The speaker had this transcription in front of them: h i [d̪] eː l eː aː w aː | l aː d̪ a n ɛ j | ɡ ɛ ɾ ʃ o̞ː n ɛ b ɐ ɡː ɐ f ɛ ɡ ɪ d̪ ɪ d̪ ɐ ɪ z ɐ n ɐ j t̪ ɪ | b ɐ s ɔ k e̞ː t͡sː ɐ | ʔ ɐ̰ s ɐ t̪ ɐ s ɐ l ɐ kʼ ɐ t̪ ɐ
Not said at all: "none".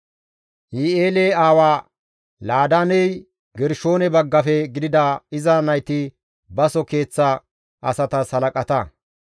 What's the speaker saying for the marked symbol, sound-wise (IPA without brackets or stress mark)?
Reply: none